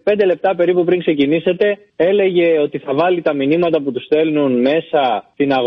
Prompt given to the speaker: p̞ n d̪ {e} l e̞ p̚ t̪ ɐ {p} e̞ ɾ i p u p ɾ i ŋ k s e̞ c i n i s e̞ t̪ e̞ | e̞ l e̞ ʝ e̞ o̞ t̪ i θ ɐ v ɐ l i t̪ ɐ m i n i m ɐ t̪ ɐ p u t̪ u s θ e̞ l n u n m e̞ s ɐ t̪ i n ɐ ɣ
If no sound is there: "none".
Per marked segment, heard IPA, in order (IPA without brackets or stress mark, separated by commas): e, p